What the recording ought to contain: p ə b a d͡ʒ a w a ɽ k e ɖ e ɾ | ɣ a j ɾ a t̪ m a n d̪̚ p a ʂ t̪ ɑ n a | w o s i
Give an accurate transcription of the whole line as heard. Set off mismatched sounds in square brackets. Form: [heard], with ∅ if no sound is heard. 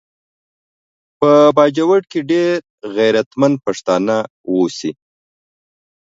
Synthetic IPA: p ə b [ɑ] d͡ʒ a w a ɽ k e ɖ e ɾ | ɣ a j ɾ a t̪ m a n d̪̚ p a ʂ t̪ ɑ n a | w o s i